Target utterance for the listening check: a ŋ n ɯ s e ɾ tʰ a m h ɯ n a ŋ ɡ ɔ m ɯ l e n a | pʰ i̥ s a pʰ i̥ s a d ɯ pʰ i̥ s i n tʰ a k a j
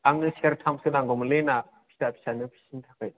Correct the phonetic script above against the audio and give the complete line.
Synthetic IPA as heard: a ŋ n ɯ s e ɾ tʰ a m s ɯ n a ŋ ɡ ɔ m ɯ l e n a | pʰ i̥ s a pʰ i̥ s a n ɯ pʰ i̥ s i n tʰ a k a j